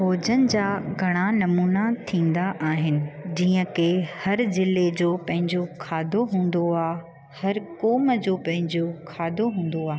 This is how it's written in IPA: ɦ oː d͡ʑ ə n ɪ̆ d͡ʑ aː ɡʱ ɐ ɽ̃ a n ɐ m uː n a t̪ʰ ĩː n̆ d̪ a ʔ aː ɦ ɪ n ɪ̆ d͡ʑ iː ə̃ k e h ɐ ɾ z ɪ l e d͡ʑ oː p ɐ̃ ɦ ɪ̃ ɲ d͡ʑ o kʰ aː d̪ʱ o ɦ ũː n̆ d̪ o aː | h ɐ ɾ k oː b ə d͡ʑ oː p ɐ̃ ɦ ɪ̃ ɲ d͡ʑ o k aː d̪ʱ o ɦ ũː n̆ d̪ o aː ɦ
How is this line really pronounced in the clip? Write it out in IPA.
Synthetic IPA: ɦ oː d͡ʑ ə n ɪ̆ d͡ʑ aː ɡʱ ɐ ɽ̃ a n ɐ m uː n a t̪ʰ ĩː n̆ d̪ a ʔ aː ɦ ɪ n ɪ̆ d͡ʑ iː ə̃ k e h ɐ ɾ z ɪ l e d͡ʑ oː p ɐ̃ ɦ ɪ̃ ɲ d͡ʑ o kʰ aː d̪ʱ o ɦ ũː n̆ d̪ o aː | h ɐ ɾ k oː m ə d͡ʑ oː p ɐ̃ ɦ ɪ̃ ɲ d͡ʑ o kʰ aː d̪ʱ o ɦ ũː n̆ d̪ o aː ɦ